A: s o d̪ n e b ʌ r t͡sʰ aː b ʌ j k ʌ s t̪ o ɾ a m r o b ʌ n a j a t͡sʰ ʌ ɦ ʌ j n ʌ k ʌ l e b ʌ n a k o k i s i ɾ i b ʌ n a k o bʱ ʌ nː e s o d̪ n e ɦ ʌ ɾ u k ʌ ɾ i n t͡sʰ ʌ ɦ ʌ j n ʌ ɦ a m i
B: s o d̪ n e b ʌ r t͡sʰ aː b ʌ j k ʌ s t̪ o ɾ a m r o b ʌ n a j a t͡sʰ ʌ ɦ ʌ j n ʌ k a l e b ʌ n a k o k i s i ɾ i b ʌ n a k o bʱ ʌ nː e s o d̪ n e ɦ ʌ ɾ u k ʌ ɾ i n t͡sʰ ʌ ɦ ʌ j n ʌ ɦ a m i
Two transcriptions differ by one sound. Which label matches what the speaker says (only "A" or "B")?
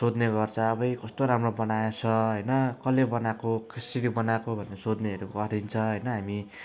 A